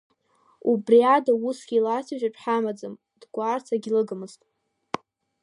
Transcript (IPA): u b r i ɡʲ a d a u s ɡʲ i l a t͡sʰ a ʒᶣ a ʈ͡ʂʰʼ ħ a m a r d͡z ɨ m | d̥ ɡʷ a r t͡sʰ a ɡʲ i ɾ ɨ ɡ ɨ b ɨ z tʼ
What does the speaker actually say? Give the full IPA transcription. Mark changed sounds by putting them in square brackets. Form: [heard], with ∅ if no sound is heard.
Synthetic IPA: u b r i [∅] a d a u s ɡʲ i l a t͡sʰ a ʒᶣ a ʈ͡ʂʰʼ ħ a m a [∅] d͡z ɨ m | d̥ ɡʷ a r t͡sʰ a ɡʲ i [l] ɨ ɡ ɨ [m] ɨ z tʼ